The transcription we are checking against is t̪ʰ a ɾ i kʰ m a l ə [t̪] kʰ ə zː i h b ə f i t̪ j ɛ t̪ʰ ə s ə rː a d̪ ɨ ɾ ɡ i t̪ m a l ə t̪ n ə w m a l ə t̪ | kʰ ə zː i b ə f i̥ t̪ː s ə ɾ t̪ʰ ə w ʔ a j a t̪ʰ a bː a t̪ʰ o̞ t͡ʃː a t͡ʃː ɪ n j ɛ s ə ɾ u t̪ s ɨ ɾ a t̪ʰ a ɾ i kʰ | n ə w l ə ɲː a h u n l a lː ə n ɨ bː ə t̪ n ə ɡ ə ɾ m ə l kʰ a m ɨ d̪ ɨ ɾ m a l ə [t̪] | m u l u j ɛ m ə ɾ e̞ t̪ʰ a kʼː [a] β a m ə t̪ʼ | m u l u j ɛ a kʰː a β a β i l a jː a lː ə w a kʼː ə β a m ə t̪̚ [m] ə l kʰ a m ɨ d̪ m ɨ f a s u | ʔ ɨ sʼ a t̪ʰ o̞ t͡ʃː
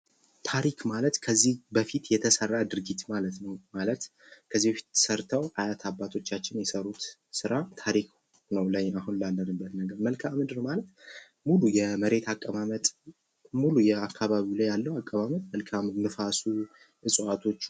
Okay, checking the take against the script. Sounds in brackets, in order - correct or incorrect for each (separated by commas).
correct, correct, incorrect, correct